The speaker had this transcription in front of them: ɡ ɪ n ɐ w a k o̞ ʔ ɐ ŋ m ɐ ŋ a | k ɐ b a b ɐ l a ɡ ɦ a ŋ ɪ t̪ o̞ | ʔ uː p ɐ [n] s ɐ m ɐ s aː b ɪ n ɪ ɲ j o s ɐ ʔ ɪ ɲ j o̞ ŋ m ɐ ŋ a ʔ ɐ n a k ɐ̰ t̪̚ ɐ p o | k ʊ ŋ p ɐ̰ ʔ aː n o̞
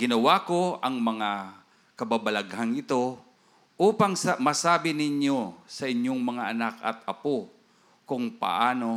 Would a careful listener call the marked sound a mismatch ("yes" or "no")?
yes